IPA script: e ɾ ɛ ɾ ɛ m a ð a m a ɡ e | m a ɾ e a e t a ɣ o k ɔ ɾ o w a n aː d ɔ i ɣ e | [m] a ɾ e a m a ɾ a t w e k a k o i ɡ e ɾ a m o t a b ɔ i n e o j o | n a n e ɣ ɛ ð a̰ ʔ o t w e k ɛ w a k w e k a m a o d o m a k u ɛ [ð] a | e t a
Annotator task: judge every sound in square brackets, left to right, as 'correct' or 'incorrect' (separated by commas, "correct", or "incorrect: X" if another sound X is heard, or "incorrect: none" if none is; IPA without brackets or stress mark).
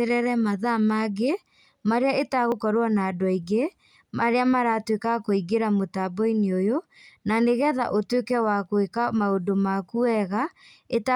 correct, incorrect: ɣ